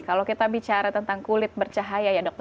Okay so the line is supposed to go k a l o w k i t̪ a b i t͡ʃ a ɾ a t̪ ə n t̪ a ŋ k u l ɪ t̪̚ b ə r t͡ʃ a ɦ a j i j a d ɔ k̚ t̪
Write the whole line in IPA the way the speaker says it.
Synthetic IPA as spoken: k a l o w k i t̪ a b i t͡ʃ a ɾ a t̪ ə n t̪ a ŋ k u l ɪ t̪̚ b ə r t͡ʃ a ɦ a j a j a d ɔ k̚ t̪